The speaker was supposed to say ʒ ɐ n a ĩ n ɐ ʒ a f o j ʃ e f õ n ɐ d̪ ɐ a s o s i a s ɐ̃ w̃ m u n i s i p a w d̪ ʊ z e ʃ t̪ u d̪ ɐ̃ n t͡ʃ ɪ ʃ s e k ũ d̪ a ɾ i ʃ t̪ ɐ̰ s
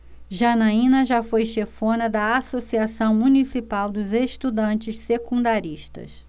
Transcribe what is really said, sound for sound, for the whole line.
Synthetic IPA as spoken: ʒ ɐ n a ĩ n ɐ ʒ a f o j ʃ e f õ n ɐ d̪ ɐ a s o s i a s ɐ̃ w̃ m u n i s i p a w d̪ ʊ z e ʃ t̪ u d̪ ɐ̃ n t͡ʃ ɪ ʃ s e k ũ d̪ a ɾ i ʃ t̪ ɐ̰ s

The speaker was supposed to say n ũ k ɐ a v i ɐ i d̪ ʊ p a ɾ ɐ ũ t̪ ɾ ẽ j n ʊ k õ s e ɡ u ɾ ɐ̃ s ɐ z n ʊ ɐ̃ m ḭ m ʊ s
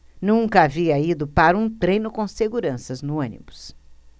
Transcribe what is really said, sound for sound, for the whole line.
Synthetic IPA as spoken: n ũ k ɐ a v i ɐ i d̪ ʊ p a ɾ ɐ ũ t̪ ɾ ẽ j n ʊ k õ s e ɡ u ɾ ɐ̃ s ɐ z n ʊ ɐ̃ n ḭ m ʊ s

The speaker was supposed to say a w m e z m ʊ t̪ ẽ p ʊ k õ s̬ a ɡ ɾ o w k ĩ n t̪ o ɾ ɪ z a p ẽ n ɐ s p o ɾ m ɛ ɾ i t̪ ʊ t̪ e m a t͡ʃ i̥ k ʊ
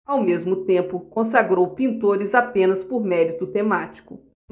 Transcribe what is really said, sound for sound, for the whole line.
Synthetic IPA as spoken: a w m e z m ʊ t̪ ẽ p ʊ k õ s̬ a ɡ ɾ o w p ĩ n t̪ o ɾ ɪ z a p ẽ n ɐ s p o ɾ m ɛ ɾ i t̪ ʊ t̪ e m a t͡ʃ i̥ k ʊ

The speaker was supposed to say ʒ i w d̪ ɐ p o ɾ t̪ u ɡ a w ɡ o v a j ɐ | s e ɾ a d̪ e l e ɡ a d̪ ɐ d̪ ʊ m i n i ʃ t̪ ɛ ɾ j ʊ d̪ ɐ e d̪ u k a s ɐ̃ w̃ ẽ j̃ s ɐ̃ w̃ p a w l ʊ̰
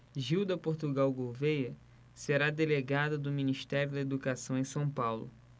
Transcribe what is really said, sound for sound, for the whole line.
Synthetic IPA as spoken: ʒ i w d̪ ɐ p o ɾ t̪ u ɡ a w ɡ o v e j ɐ | s e ɾ a d̪ e l e ɡ a d̪ ɐ d̪ ʊ m i n i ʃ t̪ ɛ ɾ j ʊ d̪ ɐ e d̪ u k a s ɐ̃ w̃ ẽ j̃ s ɐ̃ w̃ p a w l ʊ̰

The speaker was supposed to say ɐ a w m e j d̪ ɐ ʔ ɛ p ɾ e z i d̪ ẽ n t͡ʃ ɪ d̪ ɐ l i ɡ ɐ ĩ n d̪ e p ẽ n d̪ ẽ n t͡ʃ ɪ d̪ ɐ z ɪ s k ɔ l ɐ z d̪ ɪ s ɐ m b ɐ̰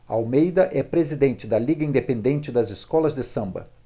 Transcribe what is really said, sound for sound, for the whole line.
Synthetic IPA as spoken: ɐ a w m e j d̪ ɐ ʔ ɛ p ɾ e z i d̪ ẽ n t͡ʃ ɪ d̪ ɐ l i ɡ ɐ ĩ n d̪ e p ẽ n d̪ ẽ n t͡ʃ ɪ d̪ ɐ z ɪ s k ɔ l ɐ z d̪ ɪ s ɐ̃ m b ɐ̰

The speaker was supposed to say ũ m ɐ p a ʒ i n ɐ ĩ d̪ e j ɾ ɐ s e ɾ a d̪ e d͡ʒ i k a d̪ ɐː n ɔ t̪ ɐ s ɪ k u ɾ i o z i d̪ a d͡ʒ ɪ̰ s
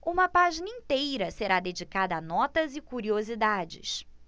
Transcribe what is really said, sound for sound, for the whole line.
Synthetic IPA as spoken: ũ m ɐ p a ʒ i n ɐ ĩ t̪ e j ɾ ɐ s e ɾ a d̪ e d͡ʒ i k a d̪ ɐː n ɔ t̪ ɐ z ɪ k u ɾ i o z i d̪ a d͡ʒ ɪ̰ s

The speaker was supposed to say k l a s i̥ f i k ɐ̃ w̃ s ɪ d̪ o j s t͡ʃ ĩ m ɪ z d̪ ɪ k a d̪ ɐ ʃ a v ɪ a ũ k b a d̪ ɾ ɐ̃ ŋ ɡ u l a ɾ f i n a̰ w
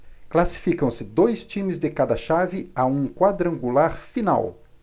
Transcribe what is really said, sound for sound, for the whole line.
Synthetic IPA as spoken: k l a s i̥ f i k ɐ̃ w̃ s ɪ d̪ o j s t͡ʃ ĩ m ɪ z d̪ ɪ k a d̪ ɐ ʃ a v ɪ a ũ k w a d̪ ɾ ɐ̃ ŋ ɡ u l a ɾ f i n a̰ w

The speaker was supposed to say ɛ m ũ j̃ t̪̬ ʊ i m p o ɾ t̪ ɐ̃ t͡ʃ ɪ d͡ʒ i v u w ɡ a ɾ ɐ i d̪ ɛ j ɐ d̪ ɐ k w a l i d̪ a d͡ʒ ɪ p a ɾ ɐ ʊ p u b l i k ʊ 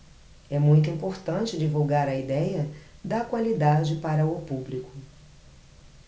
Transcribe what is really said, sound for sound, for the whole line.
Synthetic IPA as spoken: ɛ m ũ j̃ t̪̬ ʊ ĩ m p o ɾ t̪ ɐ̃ t͡ʃ ɪ d͡ʒ i v u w ɡ a ɾ ɐ i d̪ ɛ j ɐ d̪ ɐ k w a l i d̪ a d͡ʒ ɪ p a ɾ ɐ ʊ p u b l i k ʊ

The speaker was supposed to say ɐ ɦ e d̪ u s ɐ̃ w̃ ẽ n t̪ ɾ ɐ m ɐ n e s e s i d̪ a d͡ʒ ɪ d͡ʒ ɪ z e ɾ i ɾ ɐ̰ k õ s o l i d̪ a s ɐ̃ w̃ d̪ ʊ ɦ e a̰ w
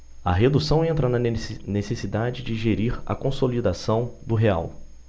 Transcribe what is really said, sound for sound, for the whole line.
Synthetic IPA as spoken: ɐ ɦ e d̪ u s ɐ̃ w̃ ẽ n t̪ ɾ ɐ n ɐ n e s e s i d̪ a d͡ʒ ɪ d͡ʒ ɪ ʒ e ɾ i ɾ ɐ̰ k õ s o l i d̪ a s ɐ̃ w̃ d̪ ʊ ɦ e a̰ w

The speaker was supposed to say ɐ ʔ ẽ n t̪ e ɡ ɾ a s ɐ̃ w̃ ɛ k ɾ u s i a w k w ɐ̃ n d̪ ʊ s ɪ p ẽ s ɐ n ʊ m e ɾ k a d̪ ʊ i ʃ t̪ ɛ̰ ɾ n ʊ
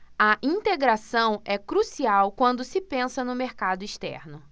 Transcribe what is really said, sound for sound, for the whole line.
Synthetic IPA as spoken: ɐ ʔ ĩ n t̪ e ɡ ɾ a s ɐ̃ w̃ ɛ k ɾ u s i a w k w ɐ̃ n d̪ ʊ s ɪ p ẽ s ɐ n ʊ m e ɾ k a d̪ ʊ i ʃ t̪ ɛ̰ ɾ n ʊ

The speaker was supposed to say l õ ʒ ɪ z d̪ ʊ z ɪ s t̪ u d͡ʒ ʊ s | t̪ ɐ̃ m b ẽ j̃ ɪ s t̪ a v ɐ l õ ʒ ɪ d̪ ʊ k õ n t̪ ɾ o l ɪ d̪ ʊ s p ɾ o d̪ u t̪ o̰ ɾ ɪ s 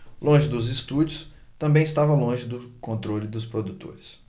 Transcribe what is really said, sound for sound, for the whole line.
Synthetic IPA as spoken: l õ ʒ ɪ d̪ ʊ z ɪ s t̪ u d͡ʒ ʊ s | t̪ ɐ̃ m b ẽ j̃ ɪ s t̪ a v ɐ l õ ʒ ɪ d̪ ʊ k õ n t̪ ɾ o l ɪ d̪ ʊ s p ɾ o d̪ u t̪ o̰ ɾ ɪ s

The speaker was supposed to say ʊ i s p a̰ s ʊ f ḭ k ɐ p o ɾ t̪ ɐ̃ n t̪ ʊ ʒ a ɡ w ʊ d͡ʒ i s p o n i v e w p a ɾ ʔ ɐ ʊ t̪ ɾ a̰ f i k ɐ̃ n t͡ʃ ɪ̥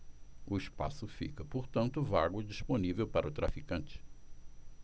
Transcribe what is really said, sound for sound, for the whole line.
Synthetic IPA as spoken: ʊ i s p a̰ s ʊ f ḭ k ɐ p o ɾ t̪ ɐ̃ n t̪ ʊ v a ɡ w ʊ d͡ʒ i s p o n i v e w p a ɾ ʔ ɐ ʊ t̪ ɾ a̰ f i k ɐ̃ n t͡ʃ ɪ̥

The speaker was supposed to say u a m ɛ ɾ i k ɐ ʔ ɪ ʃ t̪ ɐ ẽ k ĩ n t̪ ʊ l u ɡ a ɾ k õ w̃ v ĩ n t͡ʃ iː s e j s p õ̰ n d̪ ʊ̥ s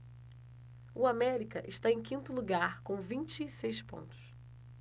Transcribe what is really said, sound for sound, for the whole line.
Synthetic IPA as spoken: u a m ɛ ɾ i k ɐ ʔ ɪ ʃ t̪ a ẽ k ĩ n t̪ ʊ l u ɡ a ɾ k õ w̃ v ĩ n t͡ʃ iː s e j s p õ̰ n t̪ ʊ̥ s

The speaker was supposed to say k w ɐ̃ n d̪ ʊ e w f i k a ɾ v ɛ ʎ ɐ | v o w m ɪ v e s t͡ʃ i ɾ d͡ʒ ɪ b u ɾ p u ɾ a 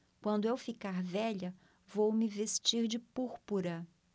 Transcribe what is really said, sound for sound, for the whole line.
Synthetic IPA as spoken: k w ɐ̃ n d̪ ʊ e w f i k a ɾ v ɛ ʎ ɐ | v o w m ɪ v e s t͡ʃ i ɾ d͡ʒ ɪ p u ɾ p u ɾ ɐ

